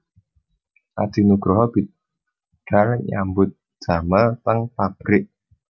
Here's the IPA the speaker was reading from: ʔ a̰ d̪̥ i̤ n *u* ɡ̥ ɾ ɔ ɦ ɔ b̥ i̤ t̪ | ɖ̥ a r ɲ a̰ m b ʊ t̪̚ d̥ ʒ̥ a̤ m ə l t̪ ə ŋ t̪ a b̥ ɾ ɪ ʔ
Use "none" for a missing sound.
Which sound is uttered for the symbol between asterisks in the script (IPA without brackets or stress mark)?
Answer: u